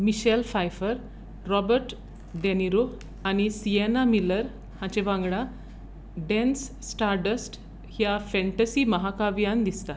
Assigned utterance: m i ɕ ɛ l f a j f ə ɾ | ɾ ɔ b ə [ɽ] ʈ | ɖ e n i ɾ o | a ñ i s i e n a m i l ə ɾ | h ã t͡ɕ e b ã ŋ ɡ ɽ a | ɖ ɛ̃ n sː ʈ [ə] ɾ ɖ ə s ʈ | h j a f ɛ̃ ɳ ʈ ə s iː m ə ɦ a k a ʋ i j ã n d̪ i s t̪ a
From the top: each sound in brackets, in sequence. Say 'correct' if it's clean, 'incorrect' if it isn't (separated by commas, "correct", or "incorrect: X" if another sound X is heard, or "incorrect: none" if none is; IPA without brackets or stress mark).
incorrect: ɾ, incorrect: a